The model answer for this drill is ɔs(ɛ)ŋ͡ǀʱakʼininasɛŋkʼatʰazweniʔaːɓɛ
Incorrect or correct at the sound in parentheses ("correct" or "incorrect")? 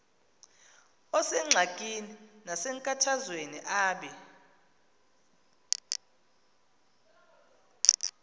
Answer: correct